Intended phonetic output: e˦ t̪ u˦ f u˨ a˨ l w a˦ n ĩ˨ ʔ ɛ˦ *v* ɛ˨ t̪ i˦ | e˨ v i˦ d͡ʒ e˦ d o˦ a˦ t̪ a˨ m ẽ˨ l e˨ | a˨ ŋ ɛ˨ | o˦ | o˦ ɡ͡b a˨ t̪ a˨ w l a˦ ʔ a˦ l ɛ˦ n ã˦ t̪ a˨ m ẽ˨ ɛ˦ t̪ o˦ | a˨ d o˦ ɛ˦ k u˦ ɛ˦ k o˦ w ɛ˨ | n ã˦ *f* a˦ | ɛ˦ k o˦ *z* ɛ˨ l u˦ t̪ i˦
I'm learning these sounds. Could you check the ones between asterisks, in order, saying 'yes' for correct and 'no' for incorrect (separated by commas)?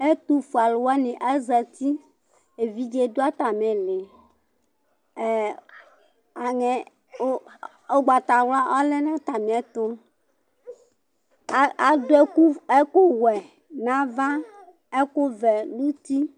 no, no, no